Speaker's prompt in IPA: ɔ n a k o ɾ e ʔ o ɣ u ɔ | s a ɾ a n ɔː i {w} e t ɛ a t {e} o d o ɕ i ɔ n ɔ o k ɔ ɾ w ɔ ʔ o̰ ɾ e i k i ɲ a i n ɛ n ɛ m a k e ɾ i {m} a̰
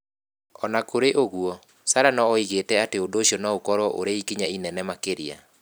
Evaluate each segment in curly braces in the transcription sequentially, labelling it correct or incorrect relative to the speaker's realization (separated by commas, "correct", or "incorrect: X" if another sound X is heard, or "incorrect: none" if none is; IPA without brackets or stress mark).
incorrect: ɣ, correct, incorrect: none